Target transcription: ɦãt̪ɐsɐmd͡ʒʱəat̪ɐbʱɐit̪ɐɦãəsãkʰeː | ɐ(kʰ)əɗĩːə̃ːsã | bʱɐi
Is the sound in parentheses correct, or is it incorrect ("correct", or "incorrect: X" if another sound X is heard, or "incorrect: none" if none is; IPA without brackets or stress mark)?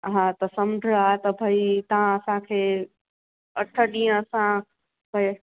incorrect: ʈʰ